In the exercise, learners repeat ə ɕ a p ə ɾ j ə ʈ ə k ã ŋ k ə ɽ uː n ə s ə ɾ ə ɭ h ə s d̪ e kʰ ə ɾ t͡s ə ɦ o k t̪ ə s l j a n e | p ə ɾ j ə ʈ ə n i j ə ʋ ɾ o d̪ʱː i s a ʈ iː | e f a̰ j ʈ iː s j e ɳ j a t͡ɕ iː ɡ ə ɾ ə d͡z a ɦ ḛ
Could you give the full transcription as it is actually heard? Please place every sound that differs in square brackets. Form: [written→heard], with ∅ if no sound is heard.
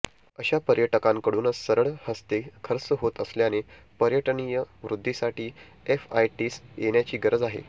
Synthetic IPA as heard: ə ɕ a p ə ɾ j ə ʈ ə k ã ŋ k ə ɽ uː n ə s ə ɾ ə ɭ h ə s [d̪→t̪] e kʰ ə ɾ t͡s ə ɦ o [k→∅] t̪ ə s l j a n e | p ə ɾ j ə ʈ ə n i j ə ʋ ɾ [o→u] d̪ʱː i s a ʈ iː | e f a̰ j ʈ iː s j e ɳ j a t͡ɕ iː ɡ ə ɾ ə d͡z a ɦ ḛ